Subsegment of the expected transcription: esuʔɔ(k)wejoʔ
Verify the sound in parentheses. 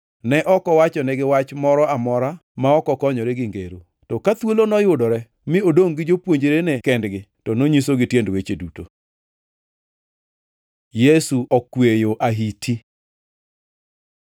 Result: correct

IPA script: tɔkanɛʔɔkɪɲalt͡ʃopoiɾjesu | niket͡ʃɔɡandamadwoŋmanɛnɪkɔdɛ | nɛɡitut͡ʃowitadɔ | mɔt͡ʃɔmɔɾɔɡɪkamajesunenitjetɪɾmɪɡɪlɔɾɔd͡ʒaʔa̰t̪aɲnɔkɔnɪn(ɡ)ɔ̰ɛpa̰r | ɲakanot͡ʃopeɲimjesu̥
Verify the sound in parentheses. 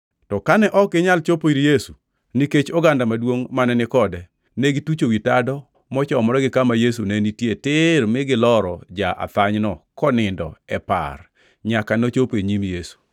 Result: incorrect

